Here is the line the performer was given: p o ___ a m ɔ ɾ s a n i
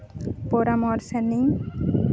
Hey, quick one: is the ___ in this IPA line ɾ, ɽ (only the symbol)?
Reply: ɾ